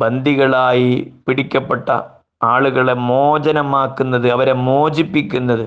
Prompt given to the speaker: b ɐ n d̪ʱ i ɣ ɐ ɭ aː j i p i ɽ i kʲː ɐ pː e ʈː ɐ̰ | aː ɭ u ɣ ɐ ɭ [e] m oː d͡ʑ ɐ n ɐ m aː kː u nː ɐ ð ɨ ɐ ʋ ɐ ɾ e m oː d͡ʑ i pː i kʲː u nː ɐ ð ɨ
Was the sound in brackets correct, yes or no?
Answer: yes